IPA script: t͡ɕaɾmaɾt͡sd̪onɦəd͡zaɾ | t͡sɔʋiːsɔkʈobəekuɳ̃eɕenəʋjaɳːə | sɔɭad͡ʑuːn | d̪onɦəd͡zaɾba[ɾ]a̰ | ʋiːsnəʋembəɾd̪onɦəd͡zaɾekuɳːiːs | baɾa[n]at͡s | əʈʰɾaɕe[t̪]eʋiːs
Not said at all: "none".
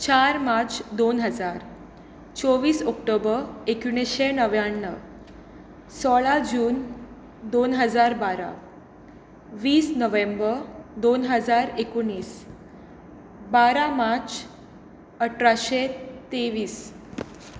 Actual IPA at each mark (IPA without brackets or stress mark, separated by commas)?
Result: ɾ, m, t̪